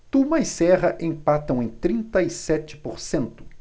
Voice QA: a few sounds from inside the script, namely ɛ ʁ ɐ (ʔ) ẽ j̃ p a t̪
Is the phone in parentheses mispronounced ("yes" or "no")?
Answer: no